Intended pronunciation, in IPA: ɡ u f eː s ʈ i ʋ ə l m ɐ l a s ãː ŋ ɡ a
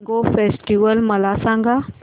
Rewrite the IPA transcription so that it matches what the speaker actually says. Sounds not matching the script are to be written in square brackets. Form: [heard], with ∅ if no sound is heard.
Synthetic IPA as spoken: ɡ [o] f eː s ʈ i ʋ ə l m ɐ l a s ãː ŋ ɡ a